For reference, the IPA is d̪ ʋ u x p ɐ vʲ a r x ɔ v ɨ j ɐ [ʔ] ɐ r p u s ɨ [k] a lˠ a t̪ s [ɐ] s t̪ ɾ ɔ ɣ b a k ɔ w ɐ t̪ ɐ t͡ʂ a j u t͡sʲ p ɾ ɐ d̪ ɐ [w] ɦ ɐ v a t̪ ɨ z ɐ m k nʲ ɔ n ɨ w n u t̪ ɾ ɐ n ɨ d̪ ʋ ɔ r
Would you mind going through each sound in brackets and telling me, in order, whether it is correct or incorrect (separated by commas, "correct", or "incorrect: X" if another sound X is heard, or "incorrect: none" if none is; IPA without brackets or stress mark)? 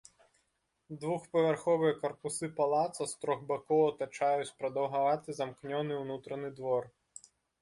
incorrect: k, incorrect: p, correct, correct